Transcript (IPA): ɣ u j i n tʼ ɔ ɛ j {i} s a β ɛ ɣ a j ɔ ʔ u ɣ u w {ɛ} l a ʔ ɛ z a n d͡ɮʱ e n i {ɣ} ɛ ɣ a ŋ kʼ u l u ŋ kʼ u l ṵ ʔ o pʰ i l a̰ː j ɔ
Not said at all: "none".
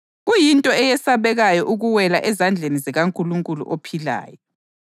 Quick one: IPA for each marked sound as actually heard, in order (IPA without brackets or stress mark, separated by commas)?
ɛ, ɛ, z